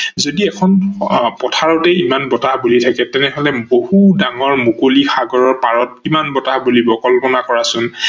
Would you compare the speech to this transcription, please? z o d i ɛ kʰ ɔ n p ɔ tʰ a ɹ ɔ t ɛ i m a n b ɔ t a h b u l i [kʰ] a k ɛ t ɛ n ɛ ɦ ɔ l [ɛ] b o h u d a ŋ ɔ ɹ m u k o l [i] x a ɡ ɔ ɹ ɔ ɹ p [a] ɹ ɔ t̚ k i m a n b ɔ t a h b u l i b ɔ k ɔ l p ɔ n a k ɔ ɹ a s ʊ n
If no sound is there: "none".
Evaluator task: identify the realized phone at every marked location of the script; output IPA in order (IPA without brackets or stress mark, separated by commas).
tʰ, ɛ, i, a